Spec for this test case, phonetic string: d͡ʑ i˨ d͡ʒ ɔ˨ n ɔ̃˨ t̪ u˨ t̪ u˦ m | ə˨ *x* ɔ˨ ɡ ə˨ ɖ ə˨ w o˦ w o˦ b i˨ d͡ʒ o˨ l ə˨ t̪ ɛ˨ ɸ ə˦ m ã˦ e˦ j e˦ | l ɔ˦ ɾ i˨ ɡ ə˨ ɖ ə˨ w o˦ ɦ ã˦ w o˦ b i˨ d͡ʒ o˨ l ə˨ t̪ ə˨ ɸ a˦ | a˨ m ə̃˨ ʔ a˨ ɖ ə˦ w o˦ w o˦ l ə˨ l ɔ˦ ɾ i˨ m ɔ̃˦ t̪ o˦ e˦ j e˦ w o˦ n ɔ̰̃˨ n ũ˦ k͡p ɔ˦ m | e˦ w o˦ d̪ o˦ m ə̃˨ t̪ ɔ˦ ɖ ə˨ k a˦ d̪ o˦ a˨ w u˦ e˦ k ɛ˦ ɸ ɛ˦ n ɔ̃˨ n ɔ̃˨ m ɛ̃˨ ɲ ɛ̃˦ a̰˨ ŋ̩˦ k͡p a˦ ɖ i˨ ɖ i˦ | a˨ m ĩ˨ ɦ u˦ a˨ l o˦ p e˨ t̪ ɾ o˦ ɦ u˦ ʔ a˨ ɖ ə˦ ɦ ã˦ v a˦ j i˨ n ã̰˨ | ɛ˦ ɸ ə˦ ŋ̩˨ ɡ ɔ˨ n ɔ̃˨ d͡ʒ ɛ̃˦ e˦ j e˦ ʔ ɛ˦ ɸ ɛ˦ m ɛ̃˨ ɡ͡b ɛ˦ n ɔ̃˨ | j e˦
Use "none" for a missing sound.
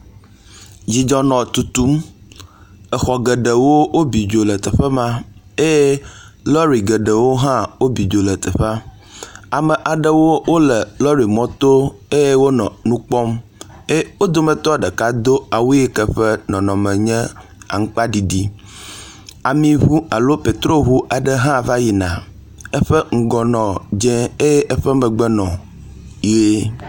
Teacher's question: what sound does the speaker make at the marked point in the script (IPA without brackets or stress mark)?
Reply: x